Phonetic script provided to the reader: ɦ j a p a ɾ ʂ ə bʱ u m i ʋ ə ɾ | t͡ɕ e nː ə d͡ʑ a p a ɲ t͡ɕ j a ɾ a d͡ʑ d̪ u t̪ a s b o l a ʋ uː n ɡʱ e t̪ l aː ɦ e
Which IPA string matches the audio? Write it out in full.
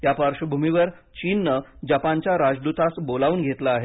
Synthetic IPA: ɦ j a p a ɾ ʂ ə bʱ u m i ʋ ə ɾ | t͡ɕ i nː ə d͡ʑ a p a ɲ t͡ɕ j a ɾ a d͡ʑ d̪ u t̪ a s b o l a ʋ uː n ɡʱ e t̪ l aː ɦ e